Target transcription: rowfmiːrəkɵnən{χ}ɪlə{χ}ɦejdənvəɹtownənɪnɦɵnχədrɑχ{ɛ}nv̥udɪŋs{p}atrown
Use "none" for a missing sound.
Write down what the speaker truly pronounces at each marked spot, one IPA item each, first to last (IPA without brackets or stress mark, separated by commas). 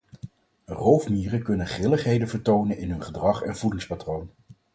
χ, χ, ɛ, p